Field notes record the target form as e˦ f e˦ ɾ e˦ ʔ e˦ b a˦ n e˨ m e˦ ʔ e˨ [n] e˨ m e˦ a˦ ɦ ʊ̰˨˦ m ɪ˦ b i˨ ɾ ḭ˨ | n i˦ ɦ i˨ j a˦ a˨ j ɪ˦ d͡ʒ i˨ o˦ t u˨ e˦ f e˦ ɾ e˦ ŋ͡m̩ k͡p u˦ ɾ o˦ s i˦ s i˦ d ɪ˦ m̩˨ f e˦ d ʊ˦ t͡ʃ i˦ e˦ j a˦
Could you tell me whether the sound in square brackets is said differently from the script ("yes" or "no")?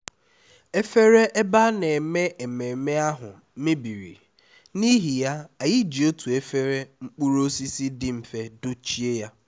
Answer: yes